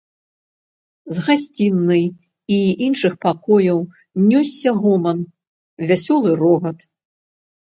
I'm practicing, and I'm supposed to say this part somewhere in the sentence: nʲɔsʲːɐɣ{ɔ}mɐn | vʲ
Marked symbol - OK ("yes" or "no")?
yes